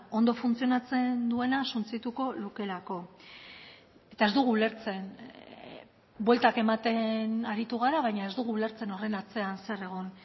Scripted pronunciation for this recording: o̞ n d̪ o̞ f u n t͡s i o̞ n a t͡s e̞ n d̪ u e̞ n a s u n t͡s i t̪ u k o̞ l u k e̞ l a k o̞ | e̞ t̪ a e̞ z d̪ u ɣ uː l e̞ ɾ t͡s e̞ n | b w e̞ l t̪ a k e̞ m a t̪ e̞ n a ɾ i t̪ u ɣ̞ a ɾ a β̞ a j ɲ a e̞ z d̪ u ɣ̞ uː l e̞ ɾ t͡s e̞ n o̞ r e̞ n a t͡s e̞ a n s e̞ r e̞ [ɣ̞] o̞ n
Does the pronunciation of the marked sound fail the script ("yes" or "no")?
no